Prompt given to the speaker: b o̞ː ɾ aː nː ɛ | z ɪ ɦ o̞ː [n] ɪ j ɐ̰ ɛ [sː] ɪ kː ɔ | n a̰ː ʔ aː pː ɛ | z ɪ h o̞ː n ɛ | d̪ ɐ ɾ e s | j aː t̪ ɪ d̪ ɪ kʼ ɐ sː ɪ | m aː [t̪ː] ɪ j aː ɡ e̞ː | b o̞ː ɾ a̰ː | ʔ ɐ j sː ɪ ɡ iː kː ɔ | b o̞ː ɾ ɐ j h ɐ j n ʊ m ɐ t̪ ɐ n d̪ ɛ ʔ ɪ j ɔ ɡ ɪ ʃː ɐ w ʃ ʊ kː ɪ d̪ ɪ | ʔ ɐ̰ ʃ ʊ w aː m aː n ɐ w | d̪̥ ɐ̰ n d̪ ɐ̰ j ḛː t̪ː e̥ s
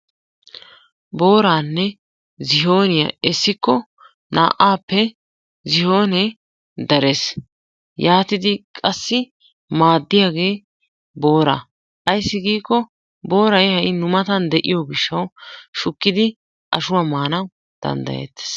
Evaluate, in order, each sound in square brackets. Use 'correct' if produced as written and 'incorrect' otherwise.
correct, correct, incorrect

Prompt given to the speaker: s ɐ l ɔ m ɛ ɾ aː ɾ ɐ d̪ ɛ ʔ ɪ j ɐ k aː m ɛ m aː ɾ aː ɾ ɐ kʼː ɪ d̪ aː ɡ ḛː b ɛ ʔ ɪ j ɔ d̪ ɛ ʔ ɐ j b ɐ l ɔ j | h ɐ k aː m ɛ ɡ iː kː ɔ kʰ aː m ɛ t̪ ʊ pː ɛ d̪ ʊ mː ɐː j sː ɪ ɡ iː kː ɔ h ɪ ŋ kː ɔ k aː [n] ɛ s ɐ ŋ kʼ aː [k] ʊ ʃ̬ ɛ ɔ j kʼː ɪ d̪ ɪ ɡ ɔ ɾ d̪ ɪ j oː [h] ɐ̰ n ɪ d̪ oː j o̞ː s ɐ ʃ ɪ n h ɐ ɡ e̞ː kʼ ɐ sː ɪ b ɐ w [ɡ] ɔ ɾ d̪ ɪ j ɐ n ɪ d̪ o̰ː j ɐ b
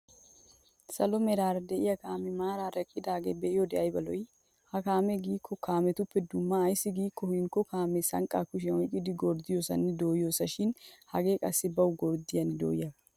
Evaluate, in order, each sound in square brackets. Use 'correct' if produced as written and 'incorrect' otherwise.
incorrect, correct, incorrect, correct

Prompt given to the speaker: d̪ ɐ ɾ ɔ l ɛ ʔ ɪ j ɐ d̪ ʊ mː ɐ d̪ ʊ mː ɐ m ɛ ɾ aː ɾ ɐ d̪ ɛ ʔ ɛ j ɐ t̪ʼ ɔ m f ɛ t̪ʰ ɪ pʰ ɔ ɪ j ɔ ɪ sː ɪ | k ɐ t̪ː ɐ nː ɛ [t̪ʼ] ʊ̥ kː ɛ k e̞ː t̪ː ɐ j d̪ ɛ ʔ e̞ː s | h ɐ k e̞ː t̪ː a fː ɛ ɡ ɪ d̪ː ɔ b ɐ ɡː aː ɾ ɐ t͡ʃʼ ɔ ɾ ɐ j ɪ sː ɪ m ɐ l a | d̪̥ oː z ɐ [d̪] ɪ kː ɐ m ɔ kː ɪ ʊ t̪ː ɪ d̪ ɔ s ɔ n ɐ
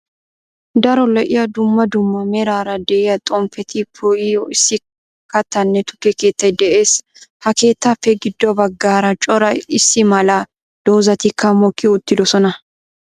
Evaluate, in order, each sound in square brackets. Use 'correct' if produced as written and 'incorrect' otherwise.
incorrect, incorrect

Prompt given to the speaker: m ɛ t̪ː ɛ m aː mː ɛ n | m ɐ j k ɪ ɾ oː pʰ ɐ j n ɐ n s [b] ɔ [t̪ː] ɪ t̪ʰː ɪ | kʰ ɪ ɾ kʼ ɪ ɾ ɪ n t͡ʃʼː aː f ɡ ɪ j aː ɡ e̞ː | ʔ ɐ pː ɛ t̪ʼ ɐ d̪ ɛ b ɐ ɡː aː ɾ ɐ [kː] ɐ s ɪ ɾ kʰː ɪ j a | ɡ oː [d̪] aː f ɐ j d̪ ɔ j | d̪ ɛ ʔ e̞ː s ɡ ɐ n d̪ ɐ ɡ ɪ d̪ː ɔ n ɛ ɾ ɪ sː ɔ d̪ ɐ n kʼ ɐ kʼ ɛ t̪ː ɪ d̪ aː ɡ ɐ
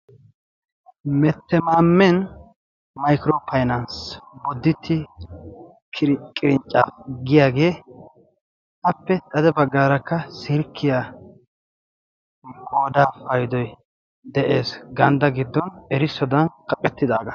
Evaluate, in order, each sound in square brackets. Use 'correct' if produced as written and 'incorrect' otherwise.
correct, incorrect, correct, correct

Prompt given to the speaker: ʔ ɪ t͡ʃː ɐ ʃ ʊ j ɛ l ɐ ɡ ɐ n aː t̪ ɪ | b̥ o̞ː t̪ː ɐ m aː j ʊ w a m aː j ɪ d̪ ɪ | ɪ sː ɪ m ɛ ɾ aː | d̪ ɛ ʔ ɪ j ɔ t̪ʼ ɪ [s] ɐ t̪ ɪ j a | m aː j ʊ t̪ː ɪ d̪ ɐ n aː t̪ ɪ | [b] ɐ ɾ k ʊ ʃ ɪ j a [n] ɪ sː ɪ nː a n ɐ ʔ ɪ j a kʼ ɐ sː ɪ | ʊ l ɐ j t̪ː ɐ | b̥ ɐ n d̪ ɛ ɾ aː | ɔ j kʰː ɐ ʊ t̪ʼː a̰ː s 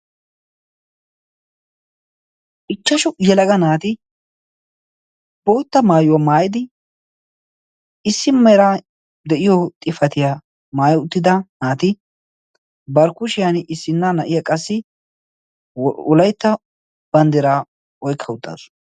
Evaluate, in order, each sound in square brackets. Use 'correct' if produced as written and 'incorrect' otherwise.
incorrect, correct, correct

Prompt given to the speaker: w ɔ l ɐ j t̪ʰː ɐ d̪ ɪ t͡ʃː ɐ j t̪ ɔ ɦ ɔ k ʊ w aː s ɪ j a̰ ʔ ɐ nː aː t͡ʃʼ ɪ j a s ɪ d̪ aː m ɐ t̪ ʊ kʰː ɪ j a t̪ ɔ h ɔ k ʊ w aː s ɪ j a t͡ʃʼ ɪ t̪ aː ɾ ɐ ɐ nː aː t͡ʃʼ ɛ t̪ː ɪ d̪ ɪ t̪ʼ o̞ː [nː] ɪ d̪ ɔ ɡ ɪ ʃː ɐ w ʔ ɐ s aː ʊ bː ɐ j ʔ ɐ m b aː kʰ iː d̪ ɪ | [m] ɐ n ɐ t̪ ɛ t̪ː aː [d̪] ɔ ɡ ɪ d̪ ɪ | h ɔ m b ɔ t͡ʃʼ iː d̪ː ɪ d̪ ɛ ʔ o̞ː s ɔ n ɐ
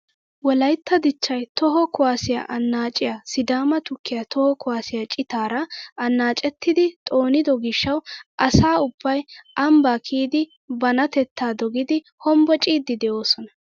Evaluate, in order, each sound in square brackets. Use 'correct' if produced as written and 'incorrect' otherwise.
incorrect, incorrect, correct

